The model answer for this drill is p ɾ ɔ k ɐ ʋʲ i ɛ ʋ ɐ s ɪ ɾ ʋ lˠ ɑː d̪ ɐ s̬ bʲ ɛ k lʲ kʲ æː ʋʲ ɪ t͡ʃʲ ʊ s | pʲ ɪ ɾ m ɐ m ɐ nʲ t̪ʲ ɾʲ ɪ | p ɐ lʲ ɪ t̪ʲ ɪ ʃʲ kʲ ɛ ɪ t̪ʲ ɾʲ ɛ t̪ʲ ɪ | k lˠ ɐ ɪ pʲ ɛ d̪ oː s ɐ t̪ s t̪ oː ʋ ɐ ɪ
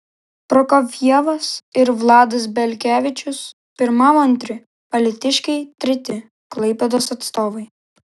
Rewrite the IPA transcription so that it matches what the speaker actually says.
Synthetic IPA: p ɾ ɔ k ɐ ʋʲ i ɛ ʋ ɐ s ɪ ɾ ʋ lˠ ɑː d̪ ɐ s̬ bʲ ɛ lʲ kʲ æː ʋʲ ɪ t͡ʃʲ ʊ s | pʲ ɪ ɾ m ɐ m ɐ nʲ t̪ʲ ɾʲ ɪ | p ɐ lʲ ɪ t̪ʲ ɪ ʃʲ kʲ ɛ ɪ t̪ʲ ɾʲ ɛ t̪ʲ ɪ | k lˠ ɐ ɪ pʲ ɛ d̪ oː s ɐ t̪ s t̪ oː ʋ ɐ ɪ